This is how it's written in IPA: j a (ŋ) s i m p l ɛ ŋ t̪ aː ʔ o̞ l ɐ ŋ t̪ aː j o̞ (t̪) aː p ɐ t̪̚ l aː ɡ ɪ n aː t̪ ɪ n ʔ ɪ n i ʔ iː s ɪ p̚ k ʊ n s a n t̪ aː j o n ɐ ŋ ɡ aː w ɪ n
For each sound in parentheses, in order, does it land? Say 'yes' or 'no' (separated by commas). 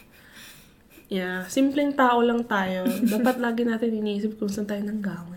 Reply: no, no